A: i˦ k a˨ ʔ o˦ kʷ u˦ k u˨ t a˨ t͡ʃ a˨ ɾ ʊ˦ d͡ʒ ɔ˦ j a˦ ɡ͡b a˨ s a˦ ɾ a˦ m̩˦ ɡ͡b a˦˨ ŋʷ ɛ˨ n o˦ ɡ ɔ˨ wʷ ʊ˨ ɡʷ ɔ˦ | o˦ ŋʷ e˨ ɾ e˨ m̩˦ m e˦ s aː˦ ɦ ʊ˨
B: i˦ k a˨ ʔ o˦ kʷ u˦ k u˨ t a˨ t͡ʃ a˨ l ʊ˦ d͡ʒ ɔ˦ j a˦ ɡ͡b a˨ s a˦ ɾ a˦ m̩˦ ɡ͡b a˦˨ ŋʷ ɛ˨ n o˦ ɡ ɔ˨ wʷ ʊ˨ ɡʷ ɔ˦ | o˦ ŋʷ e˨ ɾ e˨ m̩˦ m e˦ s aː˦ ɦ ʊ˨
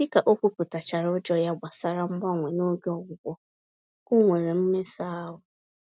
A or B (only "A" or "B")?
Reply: A